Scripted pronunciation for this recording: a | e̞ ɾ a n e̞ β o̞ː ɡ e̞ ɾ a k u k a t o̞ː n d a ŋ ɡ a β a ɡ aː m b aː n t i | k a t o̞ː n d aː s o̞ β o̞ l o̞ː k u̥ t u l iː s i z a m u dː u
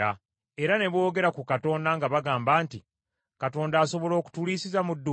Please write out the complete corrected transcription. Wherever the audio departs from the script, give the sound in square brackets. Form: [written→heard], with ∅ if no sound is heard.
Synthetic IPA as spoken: a | e̞ ɾ a n e̞ β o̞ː ɡ e̞ ɾ a k u k a t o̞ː n d a ŋ ɡ a β a ɡ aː m b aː n t i | k a t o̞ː n d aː s o̞ β o̞ l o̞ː k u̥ t u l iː s i z a m u dː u